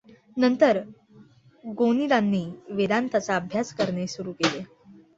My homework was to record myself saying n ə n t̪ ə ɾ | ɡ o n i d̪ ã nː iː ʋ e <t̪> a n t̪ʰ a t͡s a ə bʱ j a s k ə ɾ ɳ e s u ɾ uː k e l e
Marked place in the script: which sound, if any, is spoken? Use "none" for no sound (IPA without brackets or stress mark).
d̪